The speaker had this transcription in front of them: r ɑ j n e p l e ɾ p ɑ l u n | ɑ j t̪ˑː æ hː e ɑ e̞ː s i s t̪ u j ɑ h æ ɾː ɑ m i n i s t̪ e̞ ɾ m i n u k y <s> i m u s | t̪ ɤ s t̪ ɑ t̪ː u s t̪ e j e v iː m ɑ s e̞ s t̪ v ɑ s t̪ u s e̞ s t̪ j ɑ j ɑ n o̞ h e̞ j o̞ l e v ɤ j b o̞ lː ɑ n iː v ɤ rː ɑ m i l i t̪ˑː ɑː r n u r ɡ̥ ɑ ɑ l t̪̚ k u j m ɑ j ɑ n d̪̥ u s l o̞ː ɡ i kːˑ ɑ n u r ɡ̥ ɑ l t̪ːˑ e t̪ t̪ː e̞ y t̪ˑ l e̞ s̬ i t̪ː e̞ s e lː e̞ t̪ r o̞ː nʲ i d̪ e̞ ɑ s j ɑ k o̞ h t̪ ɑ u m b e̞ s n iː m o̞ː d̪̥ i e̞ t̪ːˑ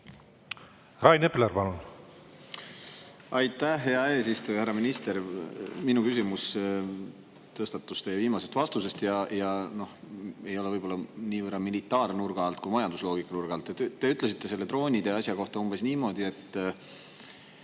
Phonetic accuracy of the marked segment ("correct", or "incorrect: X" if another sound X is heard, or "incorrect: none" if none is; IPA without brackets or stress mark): correct